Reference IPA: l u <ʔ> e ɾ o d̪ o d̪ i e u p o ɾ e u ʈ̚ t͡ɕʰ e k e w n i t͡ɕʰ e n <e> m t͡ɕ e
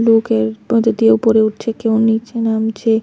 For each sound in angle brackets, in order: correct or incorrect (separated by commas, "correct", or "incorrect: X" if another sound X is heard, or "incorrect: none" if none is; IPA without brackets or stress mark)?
incorrect: k, incorrect: a